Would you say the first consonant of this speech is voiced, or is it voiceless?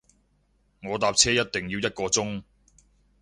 voiced